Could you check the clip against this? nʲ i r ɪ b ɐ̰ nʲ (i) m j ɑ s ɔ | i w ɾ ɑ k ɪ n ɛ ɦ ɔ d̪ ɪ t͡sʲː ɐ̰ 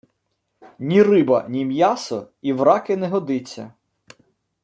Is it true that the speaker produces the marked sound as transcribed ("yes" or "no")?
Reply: yes